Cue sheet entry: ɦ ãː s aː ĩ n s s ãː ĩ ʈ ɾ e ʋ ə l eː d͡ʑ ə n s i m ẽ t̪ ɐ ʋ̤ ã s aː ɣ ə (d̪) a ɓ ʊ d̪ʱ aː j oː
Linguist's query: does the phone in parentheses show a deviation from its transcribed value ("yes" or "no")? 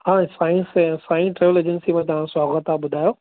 yes